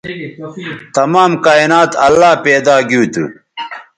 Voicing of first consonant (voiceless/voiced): voiceless